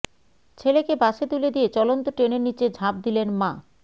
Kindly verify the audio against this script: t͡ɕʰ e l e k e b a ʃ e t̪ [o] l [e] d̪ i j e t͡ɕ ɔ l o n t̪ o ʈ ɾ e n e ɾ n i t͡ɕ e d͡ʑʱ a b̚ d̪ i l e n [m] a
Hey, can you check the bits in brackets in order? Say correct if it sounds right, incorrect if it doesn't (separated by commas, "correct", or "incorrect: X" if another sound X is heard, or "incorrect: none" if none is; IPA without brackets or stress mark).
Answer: incorrect: u, correct, correct